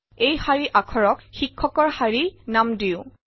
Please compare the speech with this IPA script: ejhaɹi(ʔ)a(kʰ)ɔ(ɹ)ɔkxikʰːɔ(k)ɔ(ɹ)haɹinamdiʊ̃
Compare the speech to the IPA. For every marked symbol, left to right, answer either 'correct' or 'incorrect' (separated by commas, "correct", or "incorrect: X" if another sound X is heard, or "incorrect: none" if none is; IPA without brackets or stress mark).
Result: correct, correct, correct, correct, correct